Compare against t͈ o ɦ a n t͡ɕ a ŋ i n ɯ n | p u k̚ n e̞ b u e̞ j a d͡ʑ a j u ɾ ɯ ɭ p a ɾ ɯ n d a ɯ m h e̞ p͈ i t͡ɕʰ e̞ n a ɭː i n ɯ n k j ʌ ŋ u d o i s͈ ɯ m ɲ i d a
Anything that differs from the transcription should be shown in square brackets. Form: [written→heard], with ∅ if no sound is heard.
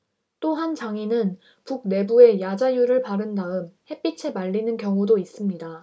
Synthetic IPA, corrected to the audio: t͈ o ɦ a n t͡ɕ a ŋ i n ɯ n | p u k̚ n e̞ b u e̞ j a d͡ʑ a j u ɾ ɯ ɭ p a ɾ ɯ n d a ɯ m h e̞ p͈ i t͡ɕʰ e̞ [n→m] a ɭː i n ɯ n k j ʌ ŋ u d o i s͈ ɯ m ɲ i d a